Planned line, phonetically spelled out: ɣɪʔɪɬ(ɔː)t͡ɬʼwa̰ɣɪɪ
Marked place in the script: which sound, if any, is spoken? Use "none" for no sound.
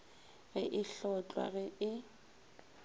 ɔ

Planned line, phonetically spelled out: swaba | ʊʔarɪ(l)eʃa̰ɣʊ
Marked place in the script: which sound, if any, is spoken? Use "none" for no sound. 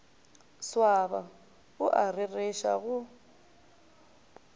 r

